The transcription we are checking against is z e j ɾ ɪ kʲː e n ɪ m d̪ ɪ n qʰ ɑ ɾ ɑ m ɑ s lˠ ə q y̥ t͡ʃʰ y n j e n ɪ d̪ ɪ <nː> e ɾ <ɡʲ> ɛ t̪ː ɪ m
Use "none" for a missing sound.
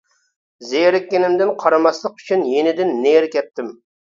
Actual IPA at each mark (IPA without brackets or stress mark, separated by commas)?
nː, kʲ